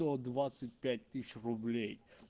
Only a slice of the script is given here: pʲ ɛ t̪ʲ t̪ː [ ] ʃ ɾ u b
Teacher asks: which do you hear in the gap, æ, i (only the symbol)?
i